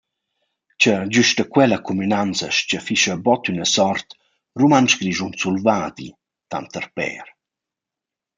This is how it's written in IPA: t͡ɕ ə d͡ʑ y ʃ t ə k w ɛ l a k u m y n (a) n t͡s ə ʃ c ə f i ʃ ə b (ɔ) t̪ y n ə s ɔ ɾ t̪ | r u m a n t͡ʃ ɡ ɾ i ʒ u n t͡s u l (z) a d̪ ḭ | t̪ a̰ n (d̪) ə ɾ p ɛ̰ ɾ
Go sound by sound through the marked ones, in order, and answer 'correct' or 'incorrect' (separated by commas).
correct, correct, incorrect, incorrect